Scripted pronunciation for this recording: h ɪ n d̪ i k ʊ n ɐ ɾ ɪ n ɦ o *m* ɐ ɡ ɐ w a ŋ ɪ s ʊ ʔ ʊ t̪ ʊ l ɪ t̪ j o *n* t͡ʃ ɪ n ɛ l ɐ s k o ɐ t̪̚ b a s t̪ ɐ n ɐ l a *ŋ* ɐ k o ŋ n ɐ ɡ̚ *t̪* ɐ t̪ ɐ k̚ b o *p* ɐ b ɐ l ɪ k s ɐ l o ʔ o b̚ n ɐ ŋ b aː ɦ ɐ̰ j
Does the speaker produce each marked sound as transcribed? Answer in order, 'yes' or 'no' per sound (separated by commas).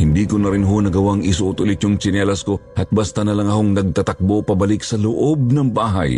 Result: no, no, yes, yes, yes